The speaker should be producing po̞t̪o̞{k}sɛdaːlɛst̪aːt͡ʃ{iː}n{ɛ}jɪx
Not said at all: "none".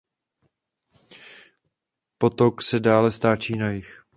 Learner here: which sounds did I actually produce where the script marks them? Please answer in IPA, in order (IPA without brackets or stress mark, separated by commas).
k, iː, a